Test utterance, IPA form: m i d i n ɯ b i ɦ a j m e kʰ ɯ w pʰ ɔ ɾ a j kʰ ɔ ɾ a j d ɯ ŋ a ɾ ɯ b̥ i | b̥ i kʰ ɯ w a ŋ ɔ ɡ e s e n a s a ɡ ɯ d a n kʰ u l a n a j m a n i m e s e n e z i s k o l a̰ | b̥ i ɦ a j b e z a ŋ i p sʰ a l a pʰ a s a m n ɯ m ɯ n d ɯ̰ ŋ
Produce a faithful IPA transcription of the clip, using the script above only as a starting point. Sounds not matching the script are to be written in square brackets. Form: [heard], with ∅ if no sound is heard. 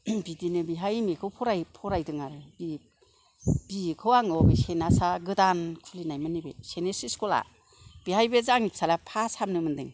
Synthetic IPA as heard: [b] i d i n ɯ b i ɦ a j m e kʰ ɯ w pʰ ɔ ɾ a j [pʰ] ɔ ɾ a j d ɯ ŋ a ɾ ɯ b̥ i | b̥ i kʰ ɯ w a ŋ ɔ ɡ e s e n a s a ɡ ɯ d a n kʰ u l [i] n a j m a n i [b] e s e n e [s] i s k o l a̰ | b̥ i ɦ a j b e z a ŋ i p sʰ a l a pʰ a s a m n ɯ m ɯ n d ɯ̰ ŋ